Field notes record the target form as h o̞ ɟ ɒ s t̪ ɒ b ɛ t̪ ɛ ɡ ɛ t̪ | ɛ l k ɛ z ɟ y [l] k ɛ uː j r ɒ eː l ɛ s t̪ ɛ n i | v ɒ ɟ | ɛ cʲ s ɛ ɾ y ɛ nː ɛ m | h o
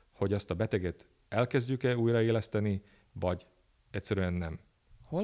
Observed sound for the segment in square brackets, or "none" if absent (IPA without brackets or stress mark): none